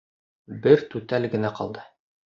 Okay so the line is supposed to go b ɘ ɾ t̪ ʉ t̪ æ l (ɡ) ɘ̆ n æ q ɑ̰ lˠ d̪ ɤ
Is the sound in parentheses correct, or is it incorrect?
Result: correct